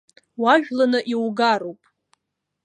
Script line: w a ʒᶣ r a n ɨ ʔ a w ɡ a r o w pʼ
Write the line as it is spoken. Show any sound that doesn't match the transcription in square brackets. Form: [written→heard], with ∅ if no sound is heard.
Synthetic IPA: w a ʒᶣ [r→l] a n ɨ ʔ [a→i] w ɡ a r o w pʼ